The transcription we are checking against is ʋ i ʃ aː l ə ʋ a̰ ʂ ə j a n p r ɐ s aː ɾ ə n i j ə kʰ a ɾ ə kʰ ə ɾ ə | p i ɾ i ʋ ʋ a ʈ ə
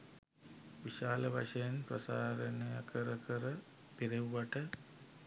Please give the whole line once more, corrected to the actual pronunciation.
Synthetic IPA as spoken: ʋ i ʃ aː l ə ʋ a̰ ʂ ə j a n p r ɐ s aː ɾ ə n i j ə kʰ ə ɾ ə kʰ ə ɾ ə | p i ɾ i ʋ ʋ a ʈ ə